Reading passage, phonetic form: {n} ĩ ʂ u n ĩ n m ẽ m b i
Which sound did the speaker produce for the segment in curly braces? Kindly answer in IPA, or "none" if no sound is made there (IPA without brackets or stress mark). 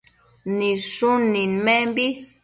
n